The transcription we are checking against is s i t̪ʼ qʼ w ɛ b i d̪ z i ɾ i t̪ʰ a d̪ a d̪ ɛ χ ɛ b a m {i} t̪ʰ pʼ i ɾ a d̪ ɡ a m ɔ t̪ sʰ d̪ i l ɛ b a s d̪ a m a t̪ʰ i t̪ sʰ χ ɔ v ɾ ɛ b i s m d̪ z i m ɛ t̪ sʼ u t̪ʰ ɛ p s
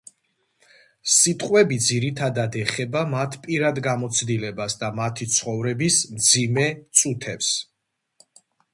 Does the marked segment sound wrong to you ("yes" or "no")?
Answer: yes